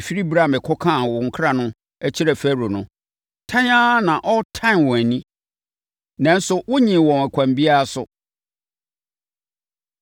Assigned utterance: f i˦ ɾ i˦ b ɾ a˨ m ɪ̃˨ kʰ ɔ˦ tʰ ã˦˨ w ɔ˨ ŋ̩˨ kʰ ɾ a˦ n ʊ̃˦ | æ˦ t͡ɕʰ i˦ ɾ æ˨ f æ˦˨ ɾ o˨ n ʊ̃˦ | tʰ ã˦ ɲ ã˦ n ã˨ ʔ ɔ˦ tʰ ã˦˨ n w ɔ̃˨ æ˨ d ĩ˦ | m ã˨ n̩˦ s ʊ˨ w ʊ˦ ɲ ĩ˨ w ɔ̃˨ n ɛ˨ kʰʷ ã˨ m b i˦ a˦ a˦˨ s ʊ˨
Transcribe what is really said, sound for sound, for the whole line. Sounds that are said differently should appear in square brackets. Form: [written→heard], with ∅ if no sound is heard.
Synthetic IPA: f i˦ ɾ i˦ b ɾ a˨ m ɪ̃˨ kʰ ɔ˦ [tʰ→kʰ] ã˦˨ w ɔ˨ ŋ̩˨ kʰ ɾ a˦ n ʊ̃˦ | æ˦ t͡ɕʰ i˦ ɾ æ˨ f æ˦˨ ɾ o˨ n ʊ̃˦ | tʰ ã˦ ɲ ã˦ n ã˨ ʔ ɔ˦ tʰ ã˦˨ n w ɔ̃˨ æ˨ [d→n] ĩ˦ | [m→n] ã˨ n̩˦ s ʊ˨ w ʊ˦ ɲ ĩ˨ w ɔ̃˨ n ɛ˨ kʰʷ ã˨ m b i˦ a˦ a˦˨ s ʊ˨